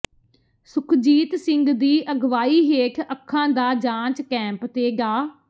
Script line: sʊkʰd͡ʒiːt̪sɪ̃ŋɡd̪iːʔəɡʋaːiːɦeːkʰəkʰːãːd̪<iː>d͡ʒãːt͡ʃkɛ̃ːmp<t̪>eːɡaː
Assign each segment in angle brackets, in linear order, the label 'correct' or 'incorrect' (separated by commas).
incorrect, correct